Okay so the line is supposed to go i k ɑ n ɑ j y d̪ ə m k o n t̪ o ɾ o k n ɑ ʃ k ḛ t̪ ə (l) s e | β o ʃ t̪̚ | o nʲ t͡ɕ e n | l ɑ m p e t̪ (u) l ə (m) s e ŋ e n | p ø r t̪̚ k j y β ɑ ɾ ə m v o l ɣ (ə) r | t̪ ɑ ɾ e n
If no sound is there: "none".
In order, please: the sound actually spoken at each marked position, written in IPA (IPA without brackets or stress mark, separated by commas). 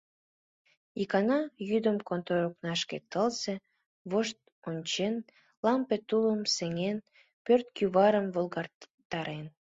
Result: l, u, m, ɑ